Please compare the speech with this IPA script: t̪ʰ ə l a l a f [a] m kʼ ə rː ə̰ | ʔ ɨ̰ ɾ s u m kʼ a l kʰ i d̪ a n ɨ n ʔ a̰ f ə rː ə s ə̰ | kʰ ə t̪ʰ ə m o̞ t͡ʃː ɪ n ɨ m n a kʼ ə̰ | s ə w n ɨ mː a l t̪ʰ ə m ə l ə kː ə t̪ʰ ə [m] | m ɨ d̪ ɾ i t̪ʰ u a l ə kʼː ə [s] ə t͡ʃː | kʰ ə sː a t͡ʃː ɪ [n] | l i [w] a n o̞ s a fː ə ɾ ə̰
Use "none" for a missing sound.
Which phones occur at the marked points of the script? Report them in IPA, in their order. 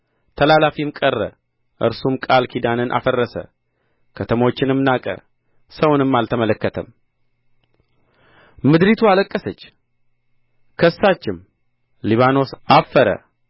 i, m, s, m, β

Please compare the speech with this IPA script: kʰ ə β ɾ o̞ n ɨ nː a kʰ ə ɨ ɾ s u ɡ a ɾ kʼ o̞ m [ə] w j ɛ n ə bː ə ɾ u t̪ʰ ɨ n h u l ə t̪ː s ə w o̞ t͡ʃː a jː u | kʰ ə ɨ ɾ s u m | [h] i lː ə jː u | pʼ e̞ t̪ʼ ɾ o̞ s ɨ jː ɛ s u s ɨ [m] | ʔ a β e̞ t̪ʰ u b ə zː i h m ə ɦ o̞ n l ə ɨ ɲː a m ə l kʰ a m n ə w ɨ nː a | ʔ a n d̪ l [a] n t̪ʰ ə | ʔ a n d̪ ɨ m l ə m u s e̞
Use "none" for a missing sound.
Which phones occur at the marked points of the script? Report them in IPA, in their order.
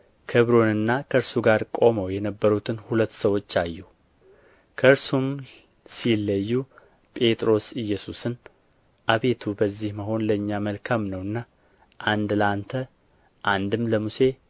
ə, s, n, a

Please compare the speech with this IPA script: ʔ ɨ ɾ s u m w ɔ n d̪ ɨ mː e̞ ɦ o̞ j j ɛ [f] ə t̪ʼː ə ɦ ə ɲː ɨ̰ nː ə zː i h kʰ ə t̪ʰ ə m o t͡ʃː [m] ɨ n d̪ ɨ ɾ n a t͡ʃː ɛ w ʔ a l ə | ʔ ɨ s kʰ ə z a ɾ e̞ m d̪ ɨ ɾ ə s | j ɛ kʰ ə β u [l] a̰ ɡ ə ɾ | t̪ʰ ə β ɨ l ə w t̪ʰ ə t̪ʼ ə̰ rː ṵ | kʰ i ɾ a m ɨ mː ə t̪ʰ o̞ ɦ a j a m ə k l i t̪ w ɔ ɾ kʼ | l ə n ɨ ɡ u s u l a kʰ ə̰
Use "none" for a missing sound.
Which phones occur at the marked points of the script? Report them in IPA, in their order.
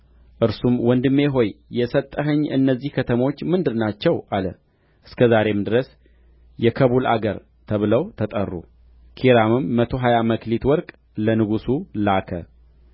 s, m, l

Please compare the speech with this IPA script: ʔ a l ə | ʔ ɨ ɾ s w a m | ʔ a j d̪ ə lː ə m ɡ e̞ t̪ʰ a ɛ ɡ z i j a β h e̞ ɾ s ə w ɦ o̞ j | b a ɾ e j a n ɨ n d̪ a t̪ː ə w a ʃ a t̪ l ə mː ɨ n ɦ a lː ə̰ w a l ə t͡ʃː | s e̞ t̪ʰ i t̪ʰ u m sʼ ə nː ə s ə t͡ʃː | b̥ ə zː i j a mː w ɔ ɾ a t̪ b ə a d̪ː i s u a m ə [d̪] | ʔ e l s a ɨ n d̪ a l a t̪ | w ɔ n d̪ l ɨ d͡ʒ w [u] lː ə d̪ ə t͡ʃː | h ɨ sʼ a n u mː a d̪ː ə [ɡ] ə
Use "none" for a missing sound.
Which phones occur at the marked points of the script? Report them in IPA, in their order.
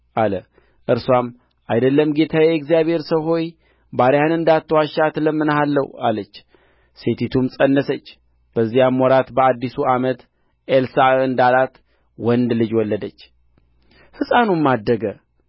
t̪, ɔ, ɡ

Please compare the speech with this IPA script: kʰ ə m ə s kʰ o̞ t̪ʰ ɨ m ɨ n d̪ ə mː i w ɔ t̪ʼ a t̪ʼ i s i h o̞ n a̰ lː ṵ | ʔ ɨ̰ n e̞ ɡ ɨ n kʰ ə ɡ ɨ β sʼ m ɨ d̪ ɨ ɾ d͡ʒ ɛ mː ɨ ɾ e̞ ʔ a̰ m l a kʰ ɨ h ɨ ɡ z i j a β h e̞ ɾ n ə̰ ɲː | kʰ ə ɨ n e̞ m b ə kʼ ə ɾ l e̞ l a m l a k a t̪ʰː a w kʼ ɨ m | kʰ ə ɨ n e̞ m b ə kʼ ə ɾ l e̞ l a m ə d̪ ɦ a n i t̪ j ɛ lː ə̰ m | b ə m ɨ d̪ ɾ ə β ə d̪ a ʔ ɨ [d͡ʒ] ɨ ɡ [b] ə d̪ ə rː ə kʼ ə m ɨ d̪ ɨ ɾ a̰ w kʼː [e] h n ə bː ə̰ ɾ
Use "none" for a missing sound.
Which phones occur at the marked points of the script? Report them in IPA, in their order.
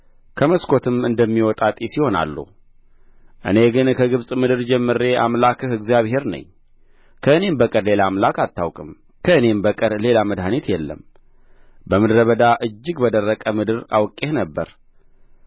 d͡ʒː, b, e

